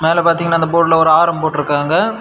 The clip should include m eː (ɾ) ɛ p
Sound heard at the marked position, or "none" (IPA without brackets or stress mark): l